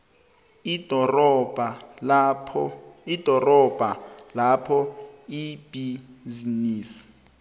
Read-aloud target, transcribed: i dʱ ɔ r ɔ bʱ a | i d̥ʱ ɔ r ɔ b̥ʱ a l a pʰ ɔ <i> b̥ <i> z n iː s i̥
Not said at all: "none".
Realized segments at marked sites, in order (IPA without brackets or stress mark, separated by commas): i, i